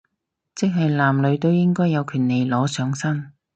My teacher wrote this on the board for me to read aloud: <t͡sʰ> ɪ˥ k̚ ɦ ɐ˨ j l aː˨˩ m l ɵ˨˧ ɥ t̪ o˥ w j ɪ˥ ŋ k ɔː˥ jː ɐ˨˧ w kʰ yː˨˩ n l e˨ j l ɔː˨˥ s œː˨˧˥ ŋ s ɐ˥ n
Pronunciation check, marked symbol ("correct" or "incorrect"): incorrect